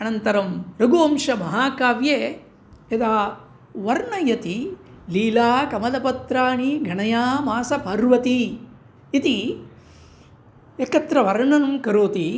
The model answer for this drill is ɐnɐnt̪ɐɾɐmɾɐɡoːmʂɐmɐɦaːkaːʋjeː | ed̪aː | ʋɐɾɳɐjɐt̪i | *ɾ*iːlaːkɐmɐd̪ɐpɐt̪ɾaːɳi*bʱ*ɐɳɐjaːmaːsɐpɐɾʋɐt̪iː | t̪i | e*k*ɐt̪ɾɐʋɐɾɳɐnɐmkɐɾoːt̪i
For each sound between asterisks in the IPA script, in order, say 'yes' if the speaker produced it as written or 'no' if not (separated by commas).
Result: no, no, yes